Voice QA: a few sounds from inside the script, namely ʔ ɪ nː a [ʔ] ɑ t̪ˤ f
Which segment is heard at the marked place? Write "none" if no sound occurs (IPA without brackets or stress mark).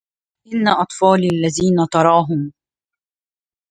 ʔ